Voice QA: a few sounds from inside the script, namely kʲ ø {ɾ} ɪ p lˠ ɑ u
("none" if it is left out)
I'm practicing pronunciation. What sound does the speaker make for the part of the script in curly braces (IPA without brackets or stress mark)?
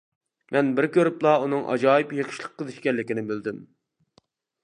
ɾ